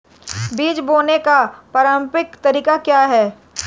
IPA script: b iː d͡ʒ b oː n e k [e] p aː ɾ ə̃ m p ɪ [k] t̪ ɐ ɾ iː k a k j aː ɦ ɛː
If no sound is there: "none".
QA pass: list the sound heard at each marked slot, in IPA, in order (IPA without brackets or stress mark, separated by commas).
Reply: a, k